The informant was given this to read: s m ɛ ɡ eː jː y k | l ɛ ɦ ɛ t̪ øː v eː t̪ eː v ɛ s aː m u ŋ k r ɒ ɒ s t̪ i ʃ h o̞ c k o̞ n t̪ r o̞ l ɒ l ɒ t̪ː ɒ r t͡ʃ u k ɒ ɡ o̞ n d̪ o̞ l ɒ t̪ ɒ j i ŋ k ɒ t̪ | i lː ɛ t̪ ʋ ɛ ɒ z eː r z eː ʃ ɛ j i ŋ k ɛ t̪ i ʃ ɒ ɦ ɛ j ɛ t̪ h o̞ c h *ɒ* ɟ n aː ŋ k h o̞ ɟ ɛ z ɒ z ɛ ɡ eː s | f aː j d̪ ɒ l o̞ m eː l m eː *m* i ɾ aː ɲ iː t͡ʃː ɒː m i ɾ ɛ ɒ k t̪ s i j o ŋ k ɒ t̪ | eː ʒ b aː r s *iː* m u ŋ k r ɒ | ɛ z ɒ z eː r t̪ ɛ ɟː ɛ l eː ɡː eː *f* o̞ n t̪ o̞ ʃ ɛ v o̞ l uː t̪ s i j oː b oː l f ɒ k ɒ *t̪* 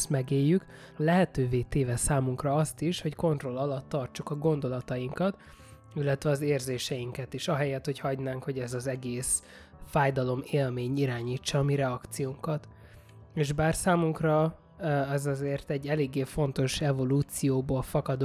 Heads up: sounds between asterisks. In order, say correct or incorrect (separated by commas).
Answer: correct, incorrect, incorrect, correct, incorrect